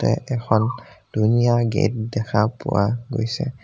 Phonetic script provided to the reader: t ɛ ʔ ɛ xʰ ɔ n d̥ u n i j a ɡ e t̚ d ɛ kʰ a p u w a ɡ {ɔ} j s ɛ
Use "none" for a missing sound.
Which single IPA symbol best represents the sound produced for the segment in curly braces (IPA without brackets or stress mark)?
o